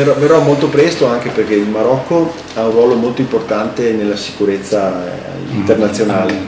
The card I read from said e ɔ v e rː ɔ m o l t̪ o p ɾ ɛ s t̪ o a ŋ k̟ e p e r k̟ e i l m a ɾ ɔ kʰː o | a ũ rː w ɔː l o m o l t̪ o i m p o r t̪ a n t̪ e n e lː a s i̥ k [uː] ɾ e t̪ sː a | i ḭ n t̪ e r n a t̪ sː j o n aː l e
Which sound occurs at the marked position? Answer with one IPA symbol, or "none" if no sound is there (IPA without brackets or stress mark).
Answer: u